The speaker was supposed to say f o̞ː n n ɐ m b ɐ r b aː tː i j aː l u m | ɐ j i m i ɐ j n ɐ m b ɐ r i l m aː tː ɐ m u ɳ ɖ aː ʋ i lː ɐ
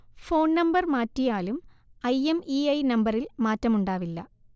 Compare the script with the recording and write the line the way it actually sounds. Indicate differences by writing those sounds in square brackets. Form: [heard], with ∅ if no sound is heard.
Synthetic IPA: f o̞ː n n ɐ m b ɐ r [m] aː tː i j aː l u m | ɐ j [e] m i ɐ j n ɐ m b ɐ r i l m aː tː ɐ m u ɳ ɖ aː ʋ i lː ɐ